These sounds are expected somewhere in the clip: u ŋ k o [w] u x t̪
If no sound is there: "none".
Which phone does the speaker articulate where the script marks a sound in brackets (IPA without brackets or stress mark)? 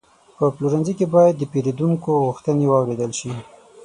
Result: ɣ